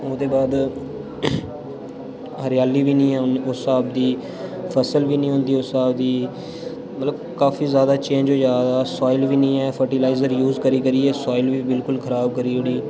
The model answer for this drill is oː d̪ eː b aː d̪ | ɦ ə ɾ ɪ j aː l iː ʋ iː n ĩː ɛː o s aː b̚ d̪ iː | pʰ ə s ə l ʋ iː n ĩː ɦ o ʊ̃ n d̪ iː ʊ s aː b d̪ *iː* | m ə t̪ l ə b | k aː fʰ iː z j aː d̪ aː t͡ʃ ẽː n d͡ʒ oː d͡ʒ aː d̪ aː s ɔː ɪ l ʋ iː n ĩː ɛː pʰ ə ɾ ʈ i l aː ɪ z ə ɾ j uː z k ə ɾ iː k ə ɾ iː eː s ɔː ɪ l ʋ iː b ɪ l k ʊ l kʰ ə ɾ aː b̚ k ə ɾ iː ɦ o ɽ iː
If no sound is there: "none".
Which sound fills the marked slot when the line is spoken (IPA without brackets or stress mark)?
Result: iː